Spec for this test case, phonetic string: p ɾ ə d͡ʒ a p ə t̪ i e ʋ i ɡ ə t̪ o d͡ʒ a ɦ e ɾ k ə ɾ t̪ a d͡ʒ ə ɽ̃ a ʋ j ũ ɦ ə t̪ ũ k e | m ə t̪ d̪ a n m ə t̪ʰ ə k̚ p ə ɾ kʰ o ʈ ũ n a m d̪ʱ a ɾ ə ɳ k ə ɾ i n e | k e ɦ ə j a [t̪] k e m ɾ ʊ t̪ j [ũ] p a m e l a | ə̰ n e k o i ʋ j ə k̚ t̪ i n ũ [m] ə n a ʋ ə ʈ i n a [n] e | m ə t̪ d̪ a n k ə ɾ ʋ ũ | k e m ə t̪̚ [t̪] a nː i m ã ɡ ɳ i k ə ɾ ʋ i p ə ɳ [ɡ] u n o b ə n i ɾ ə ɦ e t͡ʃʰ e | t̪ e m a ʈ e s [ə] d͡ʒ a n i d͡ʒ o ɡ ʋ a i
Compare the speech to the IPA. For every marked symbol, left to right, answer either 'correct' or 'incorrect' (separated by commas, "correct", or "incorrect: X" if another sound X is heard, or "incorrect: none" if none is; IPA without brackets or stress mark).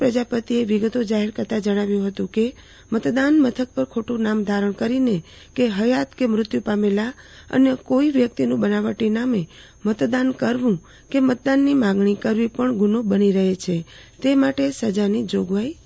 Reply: correct, incorrect: u, incorrect: b, incorrect: m, incorrect: d̪, correct, correct